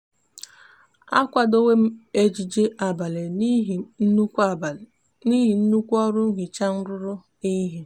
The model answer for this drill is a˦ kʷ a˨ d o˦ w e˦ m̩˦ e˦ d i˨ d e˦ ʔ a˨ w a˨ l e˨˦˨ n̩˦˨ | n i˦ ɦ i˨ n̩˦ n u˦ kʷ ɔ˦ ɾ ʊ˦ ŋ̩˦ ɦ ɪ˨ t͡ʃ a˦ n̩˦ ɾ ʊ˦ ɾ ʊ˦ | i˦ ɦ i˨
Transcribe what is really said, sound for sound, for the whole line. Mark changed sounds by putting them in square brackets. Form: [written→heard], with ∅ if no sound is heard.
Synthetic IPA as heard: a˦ kʷ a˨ d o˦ w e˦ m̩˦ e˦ [d→d͡ʒ] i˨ [d→d͡ʒ] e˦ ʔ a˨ [w→b] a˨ l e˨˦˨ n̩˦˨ | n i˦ ɦ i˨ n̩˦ n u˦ kʷ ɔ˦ ɾ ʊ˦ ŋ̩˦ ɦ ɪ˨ t͡ʃ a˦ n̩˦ ɾ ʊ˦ ɾ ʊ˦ | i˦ ɦ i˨